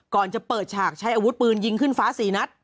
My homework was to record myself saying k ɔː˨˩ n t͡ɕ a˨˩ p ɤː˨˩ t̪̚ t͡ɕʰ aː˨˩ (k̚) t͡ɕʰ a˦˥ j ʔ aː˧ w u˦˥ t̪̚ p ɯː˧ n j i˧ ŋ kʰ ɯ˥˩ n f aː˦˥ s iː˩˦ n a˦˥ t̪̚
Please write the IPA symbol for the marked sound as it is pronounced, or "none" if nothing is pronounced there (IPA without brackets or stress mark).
k̚